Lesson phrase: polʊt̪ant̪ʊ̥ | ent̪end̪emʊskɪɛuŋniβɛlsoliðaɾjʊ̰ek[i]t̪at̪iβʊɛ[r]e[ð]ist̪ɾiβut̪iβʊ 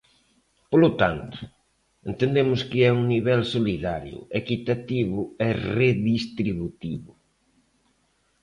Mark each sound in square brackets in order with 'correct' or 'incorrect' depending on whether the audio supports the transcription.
correct, correct, correct

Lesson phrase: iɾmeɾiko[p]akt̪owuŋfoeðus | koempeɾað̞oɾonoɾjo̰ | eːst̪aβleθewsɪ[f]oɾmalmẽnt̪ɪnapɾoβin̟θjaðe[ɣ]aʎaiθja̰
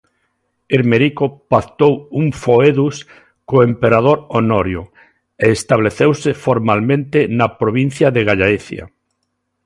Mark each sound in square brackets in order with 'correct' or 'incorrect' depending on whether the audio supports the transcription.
correct, correct, correct

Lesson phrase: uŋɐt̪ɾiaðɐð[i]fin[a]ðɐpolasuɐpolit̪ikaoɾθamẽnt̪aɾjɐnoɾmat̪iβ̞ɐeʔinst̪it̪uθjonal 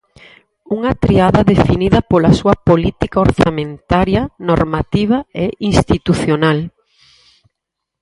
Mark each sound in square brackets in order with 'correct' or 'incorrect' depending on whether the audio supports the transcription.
incorrect: e, incorrect: i

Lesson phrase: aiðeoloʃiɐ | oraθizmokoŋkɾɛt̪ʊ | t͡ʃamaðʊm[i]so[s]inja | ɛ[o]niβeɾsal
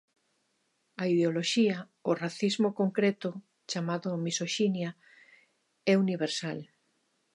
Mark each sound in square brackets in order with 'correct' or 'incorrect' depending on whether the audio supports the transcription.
correct, incorrect: ʃ, incorrect: u

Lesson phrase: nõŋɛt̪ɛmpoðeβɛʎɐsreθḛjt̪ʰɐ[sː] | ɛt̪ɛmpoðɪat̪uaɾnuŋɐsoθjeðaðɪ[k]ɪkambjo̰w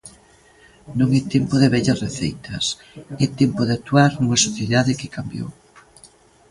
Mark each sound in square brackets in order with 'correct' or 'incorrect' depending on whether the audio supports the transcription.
incorrect: s, correct

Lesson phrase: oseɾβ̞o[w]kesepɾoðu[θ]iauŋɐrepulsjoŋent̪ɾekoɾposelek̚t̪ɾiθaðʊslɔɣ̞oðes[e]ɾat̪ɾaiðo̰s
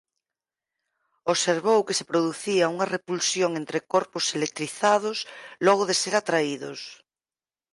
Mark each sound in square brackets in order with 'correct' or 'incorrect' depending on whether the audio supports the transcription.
correct, correct, correct

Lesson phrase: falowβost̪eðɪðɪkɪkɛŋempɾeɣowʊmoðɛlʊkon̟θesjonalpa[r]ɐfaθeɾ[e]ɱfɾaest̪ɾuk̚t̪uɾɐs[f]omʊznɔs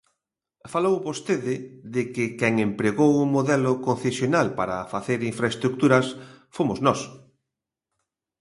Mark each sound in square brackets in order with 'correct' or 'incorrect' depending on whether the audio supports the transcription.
incorrect: ɾ, incorrect: i, correct

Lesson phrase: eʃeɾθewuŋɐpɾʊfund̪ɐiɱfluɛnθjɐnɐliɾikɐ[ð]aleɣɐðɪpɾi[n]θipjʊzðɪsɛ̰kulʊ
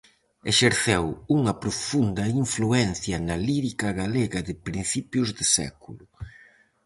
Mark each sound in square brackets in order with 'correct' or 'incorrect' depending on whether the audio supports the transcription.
incorrect: ɣ, correct

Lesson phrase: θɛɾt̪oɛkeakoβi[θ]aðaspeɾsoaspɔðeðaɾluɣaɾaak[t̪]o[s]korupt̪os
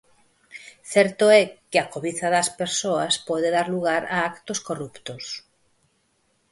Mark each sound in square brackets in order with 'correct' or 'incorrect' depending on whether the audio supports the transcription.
correct, correct, correct

